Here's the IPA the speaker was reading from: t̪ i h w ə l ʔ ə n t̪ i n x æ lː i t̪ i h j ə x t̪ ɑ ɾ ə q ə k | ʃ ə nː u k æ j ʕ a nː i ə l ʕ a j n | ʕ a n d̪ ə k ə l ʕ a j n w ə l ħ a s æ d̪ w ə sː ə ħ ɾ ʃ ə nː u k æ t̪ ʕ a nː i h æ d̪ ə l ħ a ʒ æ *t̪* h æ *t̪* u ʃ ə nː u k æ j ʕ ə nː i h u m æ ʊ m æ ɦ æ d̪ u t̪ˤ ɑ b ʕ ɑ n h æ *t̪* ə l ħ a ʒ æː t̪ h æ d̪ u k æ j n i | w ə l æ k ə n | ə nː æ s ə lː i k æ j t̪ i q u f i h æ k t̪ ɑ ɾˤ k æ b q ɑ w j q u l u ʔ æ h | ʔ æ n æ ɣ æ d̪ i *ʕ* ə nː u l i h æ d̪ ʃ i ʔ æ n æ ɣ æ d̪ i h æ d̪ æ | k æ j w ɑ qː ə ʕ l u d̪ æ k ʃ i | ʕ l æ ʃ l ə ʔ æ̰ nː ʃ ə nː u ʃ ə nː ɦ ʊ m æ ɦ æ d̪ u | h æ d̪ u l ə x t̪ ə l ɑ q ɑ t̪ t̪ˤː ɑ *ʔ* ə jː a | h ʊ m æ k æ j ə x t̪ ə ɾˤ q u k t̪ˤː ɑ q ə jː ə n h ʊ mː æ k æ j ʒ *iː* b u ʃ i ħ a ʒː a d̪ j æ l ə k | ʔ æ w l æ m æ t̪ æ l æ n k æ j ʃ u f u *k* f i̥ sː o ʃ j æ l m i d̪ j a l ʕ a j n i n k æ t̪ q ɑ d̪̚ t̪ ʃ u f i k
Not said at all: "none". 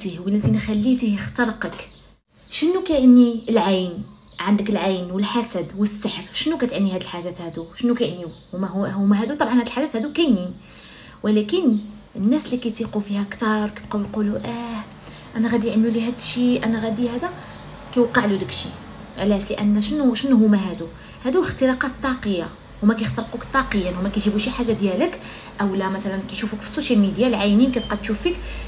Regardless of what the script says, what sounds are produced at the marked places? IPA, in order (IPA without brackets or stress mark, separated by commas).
t̪, d̪, d̪, ʕ, q, i, k